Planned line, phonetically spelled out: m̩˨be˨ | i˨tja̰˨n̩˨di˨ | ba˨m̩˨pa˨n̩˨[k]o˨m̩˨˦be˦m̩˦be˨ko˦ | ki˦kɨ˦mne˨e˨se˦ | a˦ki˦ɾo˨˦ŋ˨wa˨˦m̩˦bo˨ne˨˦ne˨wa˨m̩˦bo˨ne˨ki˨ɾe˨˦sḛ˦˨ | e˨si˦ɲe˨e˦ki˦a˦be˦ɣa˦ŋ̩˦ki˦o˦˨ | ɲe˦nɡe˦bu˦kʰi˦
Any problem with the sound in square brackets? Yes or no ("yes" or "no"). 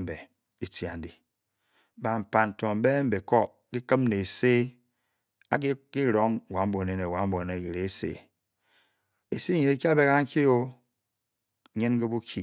yes